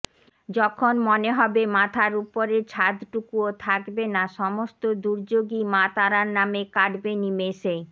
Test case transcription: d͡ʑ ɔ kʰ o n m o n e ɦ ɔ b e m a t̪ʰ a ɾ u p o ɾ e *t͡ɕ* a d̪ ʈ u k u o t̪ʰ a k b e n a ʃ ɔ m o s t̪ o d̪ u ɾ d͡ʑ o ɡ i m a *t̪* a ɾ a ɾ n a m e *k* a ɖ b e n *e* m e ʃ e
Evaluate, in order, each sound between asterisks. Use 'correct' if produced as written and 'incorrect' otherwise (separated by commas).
incorrect, correct, correct, incorrect